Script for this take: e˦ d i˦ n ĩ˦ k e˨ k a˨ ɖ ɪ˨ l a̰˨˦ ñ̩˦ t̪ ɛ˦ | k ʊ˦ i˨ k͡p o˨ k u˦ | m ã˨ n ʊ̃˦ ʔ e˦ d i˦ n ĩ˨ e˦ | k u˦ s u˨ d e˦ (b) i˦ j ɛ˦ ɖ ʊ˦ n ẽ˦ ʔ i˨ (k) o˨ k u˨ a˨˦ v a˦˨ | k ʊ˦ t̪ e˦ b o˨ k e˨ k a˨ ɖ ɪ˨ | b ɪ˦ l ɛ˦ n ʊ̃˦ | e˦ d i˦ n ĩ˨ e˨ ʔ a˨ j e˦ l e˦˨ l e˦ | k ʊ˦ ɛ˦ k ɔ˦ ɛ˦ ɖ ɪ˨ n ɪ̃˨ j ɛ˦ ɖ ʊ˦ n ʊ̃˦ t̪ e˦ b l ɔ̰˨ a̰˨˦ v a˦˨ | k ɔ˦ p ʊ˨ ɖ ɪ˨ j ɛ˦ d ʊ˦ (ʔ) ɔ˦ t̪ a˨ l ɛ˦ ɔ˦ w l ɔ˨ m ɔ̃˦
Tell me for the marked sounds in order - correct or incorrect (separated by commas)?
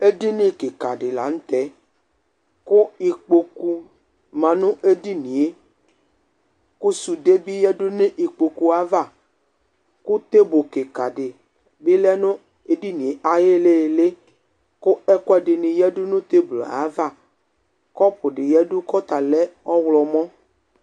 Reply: correct, incorrect, incorrect